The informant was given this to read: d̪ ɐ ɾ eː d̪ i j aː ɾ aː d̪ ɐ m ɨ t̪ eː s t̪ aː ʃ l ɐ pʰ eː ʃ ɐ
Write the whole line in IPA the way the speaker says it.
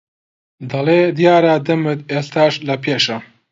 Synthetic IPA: d̪ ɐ l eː d̪ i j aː ɾ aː d̪ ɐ m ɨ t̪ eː s t̪ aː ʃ l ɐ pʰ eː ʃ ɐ